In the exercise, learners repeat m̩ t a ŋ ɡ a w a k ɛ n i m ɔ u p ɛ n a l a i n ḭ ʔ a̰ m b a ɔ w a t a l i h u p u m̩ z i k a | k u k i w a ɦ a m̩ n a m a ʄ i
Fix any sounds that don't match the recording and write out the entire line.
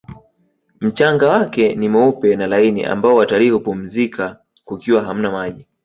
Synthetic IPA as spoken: m̩ t͡ʃ a ŋ ɡ a w a k ɛ n i m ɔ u p ɛ n a l a i n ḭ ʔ a̰ m b a ɔ w a t a l i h u p u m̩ z i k a | k u k i w a ɦ a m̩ n a m a ʄ i